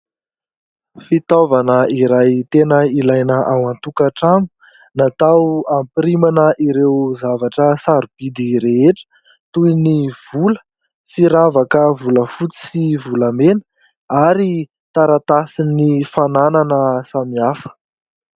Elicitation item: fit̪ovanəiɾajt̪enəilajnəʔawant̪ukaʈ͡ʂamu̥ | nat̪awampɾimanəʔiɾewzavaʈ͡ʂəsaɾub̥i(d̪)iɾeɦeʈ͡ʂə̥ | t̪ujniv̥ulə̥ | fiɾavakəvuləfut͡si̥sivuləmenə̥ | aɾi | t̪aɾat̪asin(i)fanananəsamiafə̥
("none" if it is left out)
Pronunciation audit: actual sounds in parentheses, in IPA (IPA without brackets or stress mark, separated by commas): d̪, i